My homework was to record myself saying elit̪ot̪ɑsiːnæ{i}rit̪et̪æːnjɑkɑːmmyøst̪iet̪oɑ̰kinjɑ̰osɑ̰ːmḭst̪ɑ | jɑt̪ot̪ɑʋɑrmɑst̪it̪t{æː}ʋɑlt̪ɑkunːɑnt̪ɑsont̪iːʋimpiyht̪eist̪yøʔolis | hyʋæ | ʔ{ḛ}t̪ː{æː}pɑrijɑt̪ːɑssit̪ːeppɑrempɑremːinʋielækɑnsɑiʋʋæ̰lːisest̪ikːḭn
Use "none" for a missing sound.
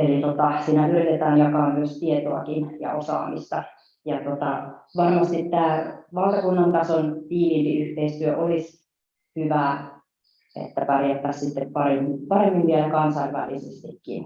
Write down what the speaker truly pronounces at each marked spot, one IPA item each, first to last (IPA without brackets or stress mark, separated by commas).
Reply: y, æː, ḛ, æ